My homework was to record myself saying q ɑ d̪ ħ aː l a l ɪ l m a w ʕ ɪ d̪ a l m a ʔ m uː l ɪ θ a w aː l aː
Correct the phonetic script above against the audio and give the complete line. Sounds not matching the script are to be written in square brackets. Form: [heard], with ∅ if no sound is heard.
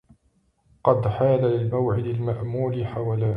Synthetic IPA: q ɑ d̪ ħ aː l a l ɪ l m a w ʕ ɪ d̪ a l m a ʔ m uː l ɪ [ħ] a w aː l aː

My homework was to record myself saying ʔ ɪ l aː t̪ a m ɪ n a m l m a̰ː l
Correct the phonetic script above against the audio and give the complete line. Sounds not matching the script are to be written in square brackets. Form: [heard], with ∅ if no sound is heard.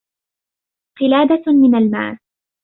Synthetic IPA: [q] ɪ l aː [d̪] a m ɪ n a [∅] l m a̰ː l

